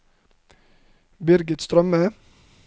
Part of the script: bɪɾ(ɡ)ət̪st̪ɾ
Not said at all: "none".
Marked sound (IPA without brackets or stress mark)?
ɡ